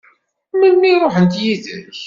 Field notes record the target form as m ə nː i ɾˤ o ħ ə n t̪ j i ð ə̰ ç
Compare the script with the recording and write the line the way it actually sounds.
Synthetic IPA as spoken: m ə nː i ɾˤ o ħ ə n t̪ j i ð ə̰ ç

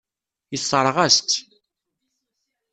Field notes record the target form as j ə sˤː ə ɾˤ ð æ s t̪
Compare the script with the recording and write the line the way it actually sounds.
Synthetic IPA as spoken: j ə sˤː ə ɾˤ ʁ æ s t̪

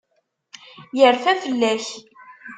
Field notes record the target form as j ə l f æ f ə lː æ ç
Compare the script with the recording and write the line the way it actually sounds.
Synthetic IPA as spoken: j ə ɾ f æ f ə lː æ ç

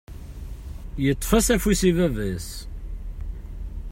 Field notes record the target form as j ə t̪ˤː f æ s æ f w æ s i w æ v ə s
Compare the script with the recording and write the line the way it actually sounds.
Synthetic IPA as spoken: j ə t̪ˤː f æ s æ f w i s i v æ v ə s

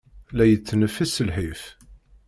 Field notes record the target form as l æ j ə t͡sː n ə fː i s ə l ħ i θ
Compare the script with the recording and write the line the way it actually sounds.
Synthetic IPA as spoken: l æ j ə t͡sː n ə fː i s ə l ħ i f

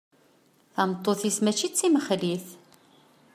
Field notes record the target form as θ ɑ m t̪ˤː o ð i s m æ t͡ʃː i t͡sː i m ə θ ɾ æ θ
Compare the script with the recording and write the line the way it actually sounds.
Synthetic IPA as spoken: θ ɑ m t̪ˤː o θ i s m æ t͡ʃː i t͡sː i m ə χ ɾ i θ

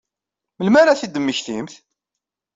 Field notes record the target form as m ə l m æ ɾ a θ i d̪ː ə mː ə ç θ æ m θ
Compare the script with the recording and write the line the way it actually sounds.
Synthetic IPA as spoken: m ə l m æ ɾ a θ i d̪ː ə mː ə ç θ i m θ

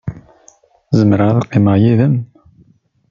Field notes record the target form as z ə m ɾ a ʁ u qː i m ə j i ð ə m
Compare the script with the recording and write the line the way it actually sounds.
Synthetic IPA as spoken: z ə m ɾ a ð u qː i m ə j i ð ə m

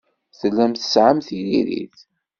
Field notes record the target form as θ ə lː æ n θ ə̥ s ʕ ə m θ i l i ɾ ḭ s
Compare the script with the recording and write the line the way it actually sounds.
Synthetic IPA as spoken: θ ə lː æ m θ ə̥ s ʕ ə m θ i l i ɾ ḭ θ

